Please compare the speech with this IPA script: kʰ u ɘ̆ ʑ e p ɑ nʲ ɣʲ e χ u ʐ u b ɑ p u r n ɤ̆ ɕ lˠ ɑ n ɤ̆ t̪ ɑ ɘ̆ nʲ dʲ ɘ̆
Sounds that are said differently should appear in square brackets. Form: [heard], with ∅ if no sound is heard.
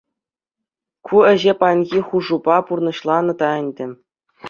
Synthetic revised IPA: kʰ u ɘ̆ ʑ e p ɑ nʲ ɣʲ [i] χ u ʐ u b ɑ p u r n ɤ̆ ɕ lˠ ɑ n ɤ̆ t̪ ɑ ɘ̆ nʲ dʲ ɘ̆